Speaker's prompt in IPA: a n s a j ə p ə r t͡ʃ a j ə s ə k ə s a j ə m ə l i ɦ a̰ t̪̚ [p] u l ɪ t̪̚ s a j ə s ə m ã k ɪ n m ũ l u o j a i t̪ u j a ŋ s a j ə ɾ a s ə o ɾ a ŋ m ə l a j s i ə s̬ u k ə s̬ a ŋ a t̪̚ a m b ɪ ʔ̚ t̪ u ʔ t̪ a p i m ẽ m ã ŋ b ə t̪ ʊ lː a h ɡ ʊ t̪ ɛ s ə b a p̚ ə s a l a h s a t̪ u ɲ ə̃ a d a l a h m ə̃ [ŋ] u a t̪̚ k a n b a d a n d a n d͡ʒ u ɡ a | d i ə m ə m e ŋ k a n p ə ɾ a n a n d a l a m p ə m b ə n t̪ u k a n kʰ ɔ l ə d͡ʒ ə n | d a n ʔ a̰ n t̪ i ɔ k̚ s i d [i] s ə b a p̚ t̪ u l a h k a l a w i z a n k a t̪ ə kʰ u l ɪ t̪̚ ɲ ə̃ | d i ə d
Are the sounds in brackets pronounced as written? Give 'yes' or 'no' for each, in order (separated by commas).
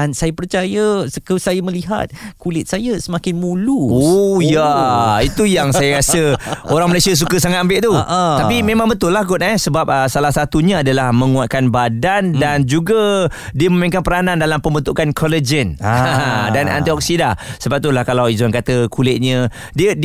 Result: no, yes, no